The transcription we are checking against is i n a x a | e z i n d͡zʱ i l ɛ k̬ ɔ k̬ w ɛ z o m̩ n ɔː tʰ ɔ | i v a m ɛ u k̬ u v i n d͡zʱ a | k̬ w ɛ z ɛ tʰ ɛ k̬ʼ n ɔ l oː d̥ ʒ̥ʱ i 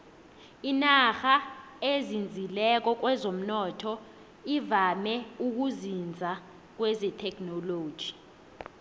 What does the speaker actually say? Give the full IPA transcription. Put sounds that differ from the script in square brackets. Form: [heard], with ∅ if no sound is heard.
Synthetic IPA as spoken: i n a x a | e z i n d͡zʱ i l ɛ k̬ ɔ k̬ w ɛ z o m̩ n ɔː tʰ ɔ | i v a m ɛ u k̬ u [z] i n d͡zʱ a | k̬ w ɛ z ɛ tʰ ɛ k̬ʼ n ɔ l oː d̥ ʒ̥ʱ i

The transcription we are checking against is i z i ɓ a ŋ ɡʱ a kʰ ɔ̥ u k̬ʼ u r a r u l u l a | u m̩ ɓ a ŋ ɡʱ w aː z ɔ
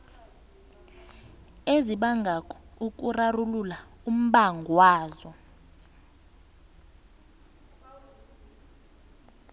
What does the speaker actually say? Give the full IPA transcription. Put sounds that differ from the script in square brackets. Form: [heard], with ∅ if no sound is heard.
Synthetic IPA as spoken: [e] z i ɓ a ŋ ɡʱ a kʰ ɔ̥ u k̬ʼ u r a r u l u l a | u m̩ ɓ a ŋ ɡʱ w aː z ɔ

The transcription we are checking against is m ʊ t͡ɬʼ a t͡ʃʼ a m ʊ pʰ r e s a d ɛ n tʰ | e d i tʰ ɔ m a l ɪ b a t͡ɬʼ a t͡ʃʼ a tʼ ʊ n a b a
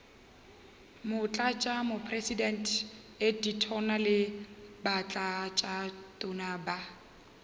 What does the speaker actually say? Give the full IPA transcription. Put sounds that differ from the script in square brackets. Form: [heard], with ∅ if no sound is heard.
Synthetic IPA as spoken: m ʊ t͡ɬʼ a t͡ʃʼ a m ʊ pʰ r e s [i] d ɛ n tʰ | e d i tʰ ɔ [n] a l ɪ b a t͡ɬʼ a t͡ʃʼ a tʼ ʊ n a b a

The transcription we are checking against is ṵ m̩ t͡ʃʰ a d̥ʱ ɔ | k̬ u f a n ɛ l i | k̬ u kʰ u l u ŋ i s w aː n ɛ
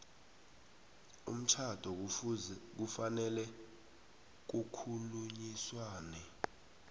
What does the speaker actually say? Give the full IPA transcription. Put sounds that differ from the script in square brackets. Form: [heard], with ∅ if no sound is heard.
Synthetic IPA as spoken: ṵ m̩ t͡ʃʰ a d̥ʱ ɔ | k̬ u f a n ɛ l [ɛ] | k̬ u kʰ u l u [ɲ] i s w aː n ɛ

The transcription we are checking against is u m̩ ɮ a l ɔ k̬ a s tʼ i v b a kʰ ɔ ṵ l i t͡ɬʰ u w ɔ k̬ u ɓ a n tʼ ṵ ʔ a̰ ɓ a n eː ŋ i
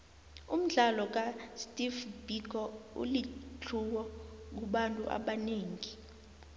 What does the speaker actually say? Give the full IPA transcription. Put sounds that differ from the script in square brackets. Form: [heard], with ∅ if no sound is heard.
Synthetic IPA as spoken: u m̩ ɮ a l ɔ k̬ a s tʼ i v b [i] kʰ ɔ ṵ l i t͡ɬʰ u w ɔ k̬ u ɓ a n tʼ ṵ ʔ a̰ ɓ a n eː ŋ i

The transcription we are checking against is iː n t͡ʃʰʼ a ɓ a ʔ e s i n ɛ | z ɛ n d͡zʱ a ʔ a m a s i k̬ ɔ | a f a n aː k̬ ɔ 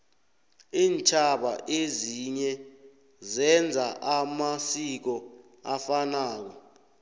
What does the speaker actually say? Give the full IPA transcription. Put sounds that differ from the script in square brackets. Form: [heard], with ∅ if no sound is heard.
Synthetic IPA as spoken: iː n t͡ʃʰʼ a ɓ a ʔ e [z] i [ɲ] ɛ | z ɛ n d͡zʱ a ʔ a m a s i k̬ ɔ | a f a n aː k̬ ɔ

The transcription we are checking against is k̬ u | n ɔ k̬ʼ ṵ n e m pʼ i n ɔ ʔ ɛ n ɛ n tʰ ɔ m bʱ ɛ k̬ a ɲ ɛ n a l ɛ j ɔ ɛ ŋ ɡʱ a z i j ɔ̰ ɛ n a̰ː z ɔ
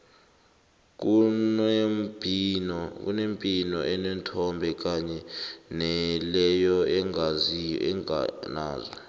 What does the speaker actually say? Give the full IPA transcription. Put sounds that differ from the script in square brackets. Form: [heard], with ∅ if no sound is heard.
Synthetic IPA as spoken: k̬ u | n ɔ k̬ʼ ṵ n e m pʼ i n ɔ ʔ ɛ n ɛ n tʰ ɔ m bʱ ɛ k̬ a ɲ ɛ n [ɛ] l ɛ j ɔ ɛ ŋ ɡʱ a z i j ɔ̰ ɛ n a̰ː z ɔ

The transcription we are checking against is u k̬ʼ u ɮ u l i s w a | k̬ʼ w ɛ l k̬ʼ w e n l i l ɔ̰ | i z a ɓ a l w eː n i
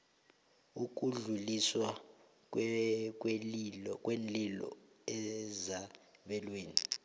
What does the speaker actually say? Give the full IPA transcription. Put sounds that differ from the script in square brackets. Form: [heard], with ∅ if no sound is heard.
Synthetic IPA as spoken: u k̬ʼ u ɮ u l i s w a | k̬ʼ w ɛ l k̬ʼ w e n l i l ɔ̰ | [ɛ] z a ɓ [ɛ] l w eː n i

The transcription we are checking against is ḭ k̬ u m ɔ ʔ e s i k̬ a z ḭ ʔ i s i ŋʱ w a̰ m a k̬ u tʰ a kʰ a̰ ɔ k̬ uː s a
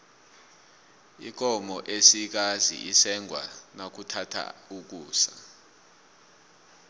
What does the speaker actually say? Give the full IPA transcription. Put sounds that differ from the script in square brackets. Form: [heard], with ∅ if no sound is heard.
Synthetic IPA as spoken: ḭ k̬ [ɔ] m ɔ ʔ e s i k̬ a z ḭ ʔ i s [ɛ] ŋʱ w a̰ [n] a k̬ u tʰ a [tʰ] a̰ [u] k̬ uː s a

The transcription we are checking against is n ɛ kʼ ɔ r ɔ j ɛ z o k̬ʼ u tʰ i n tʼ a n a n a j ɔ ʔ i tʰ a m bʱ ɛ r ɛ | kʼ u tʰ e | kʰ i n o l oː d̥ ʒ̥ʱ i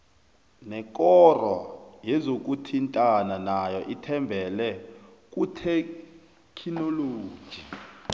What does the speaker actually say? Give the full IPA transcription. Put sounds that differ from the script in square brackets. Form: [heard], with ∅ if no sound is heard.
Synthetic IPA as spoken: n ɛ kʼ ɔ r ɔ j ɛ z o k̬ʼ u tʰ i n tʼ a n a n a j ɔ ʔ i tʰ [ɛ] m bʱ ɛ [l] ɛ | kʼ u tʰ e | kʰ i n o l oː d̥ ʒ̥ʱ i

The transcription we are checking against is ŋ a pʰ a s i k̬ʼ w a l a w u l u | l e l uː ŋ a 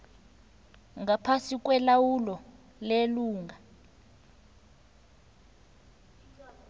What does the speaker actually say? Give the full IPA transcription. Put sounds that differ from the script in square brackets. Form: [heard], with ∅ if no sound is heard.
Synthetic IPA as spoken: ŋ a pʰ a s i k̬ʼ w [ɛ] l a w u l [ɔ] | l e l uː ŋ a

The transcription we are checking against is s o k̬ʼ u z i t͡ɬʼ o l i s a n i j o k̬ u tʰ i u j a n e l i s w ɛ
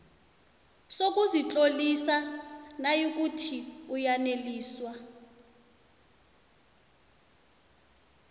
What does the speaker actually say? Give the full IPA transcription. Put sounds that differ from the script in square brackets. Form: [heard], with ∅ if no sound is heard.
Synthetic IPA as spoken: s o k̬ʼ u z i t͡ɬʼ o l i s a n [a] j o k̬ u tʰ i u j a n e l [iː] s w [a]

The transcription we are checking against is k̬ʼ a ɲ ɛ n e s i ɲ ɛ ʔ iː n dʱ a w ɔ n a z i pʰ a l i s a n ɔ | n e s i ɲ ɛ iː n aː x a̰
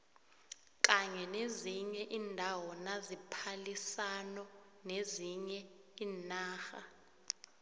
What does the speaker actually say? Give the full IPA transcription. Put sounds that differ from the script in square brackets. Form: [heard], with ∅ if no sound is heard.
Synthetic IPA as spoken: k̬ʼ a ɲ ɛ n e [z] i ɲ ɛ ʔ iː n dʱ a w ɔ n a z i pʰ a l i s a n ɔ | n e [z] i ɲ ɛ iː n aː x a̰

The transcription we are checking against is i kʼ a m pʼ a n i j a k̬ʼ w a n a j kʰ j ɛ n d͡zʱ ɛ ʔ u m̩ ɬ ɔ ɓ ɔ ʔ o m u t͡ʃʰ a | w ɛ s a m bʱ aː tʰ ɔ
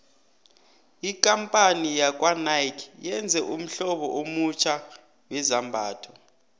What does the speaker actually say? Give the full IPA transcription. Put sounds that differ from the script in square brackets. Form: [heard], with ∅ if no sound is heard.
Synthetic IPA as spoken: i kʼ a m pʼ a n i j a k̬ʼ w a n a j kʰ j ɛ n d͡zʱ ɛ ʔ u m̩ ɬ ɔ ɓ ɔ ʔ o m u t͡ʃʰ a | w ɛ [z] a m bʱ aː tʰ ɔ

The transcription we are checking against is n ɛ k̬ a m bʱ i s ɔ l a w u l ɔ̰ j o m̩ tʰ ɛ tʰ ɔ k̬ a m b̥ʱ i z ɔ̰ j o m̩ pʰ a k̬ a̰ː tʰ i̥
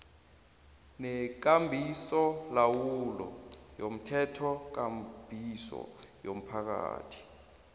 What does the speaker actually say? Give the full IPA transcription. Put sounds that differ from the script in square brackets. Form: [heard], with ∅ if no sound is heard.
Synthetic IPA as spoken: n ɛ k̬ a m bʱ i s ɔ l a w u l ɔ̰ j o m̩ tʰ ɛ tʰ ɔ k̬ a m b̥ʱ i [s] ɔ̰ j o m̩ pʰ a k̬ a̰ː tʰ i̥

